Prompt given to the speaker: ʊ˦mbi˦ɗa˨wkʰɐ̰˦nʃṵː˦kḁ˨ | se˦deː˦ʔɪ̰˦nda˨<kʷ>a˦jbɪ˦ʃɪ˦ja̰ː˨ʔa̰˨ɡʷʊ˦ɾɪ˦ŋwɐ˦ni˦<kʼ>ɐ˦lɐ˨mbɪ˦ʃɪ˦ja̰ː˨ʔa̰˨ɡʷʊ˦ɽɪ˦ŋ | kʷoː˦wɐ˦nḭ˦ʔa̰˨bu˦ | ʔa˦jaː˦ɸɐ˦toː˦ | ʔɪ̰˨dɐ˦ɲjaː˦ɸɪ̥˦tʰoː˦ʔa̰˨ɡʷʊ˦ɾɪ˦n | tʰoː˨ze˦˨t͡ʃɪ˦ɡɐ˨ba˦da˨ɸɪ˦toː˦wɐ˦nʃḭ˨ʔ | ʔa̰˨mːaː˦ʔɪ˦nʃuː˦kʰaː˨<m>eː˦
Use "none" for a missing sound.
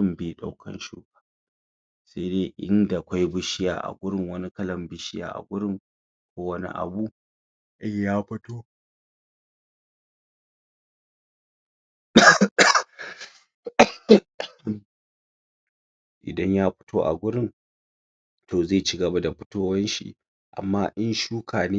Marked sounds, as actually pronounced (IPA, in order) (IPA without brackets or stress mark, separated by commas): kʷ, k, n